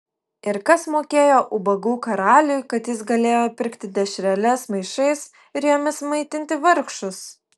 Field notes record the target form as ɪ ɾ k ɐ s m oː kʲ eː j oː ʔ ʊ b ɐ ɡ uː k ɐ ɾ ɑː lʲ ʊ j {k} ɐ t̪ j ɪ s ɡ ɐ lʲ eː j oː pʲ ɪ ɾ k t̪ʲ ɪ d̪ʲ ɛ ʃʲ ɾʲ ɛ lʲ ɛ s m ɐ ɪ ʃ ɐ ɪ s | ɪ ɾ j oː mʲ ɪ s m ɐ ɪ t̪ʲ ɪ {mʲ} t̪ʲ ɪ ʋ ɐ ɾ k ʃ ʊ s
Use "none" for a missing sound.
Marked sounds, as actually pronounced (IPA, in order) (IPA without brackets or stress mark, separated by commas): k, nʲ